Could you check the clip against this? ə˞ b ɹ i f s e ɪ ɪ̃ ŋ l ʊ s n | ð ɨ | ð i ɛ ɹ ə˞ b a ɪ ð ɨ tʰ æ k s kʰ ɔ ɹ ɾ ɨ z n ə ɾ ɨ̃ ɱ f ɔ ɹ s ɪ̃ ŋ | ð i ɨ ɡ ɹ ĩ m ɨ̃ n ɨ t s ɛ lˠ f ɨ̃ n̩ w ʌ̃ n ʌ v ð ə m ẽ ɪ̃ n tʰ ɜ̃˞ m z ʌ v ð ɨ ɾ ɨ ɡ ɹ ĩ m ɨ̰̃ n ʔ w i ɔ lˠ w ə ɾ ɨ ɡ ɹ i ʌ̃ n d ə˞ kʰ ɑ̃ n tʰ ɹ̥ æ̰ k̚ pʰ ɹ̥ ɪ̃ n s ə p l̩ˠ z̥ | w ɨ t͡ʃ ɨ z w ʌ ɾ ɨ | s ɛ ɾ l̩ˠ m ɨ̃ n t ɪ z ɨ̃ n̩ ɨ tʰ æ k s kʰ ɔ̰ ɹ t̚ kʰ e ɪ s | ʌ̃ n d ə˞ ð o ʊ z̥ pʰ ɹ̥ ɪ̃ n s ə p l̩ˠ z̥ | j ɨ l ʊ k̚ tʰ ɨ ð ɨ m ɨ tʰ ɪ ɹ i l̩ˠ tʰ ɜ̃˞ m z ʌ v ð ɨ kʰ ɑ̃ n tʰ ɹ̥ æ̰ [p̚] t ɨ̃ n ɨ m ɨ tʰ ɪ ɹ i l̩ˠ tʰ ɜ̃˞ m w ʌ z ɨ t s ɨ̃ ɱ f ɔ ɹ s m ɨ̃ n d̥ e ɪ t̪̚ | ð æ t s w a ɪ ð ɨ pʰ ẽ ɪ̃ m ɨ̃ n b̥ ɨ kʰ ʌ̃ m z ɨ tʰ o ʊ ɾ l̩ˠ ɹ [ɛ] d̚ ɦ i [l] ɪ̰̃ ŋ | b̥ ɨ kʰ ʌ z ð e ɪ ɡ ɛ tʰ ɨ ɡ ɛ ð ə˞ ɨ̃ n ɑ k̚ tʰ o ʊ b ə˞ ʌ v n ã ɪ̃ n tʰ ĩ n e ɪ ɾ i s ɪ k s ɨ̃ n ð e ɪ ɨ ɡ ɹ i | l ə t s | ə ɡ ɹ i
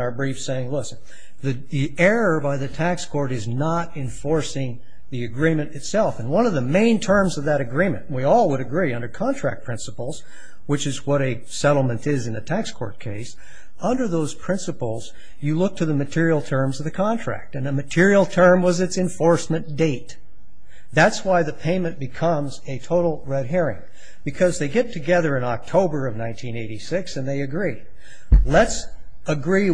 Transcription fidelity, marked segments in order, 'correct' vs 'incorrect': incorrect: k̚, correct, incorrect: ɹ

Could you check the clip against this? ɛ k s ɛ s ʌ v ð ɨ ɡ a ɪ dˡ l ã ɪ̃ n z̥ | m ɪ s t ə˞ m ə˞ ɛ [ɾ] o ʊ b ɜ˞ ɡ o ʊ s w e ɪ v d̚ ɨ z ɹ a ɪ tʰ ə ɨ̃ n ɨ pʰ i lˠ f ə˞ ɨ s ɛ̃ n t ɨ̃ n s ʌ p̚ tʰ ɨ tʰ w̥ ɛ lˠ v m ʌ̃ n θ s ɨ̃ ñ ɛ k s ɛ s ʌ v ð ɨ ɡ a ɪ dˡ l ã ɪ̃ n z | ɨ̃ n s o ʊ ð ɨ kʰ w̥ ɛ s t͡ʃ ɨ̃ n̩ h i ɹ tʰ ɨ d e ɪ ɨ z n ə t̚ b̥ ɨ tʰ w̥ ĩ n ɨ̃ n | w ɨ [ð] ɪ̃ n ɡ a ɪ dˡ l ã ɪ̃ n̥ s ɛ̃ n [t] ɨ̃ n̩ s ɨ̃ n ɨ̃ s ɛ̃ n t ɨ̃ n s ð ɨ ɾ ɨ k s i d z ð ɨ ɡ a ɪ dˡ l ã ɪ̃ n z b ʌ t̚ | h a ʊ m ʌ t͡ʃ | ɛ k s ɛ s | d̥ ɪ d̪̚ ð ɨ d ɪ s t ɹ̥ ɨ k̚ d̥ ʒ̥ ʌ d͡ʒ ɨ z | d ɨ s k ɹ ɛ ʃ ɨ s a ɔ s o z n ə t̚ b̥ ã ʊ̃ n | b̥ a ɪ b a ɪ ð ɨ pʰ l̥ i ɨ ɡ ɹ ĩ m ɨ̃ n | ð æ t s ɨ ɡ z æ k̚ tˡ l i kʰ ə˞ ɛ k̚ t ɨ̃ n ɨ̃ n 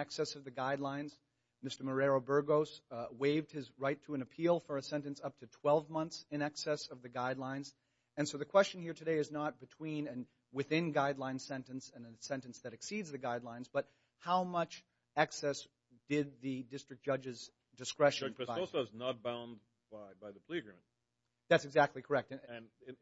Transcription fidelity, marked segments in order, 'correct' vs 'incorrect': incorrect: ɹ, incorrect: θ, correct

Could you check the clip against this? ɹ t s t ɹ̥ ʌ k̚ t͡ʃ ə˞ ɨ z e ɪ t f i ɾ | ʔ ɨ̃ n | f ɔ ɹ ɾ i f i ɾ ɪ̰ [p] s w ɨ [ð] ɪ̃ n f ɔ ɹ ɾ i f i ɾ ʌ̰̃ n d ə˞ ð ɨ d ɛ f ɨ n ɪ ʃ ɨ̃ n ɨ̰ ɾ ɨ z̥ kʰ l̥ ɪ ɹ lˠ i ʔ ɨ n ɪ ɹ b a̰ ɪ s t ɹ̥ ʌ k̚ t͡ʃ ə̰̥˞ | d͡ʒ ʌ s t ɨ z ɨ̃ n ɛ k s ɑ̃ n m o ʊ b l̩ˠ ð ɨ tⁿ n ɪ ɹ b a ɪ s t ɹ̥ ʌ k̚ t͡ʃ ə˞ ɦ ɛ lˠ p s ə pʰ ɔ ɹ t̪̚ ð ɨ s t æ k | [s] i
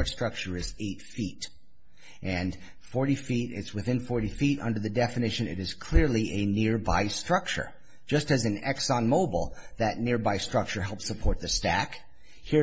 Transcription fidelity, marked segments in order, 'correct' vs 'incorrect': incorrect: t, incorrect: θ, incorrect: h

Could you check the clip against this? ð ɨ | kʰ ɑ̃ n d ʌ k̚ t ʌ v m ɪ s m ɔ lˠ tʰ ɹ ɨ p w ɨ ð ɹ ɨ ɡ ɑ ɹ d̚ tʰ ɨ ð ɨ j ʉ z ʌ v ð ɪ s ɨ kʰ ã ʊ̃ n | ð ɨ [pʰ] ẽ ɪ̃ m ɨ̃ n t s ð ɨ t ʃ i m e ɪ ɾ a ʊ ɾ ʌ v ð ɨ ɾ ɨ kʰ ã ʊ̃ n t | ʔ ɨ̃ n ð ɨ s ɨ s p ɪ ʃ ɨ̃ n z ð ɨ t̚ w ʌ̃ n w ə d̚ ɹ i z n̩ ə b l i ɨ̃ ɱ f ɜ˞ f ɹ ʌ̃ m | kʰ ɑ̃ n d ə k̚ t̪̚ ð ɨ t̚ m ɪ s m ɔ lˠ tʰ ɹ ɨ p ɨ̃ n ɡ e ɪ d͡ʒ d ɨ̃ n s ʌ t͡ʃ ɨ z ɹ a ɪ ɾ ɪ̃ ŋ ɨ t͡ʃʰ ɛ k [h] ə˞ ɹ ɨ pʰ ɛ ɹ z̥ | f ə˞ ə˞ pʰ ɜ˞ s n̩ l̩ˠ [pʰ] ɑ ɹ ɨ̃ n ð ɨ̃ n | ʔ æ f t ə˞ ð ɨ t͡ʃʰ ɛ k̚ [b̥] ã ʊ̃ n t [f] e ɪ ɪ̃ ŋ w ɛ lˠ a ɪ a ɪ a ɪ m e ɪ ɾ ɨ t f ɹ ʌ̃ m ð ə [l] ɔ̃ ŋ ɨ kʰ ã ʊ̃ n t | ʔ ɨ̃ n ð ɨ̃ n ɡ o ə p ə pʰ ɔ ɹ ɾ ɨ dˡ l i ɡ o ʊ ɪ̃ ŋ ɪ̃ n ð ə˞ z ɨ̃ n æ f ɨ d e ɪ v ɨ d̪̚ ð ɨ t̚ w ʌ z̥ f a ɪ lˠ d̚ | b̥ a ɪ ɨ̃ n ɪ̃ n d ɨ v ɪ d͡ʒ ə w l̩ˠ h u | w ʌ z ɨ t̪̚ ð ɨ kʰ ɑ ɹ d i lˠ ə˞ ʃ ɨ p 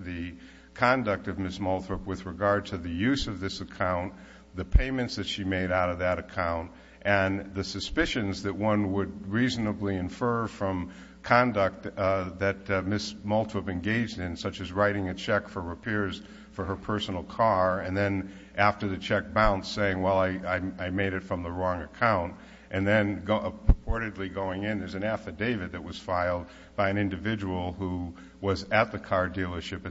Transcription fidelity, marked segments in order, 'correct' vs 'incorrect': correct, incorrect: f, incorrect: kʰ, correct, incorrect: s, incorrect: ɹ

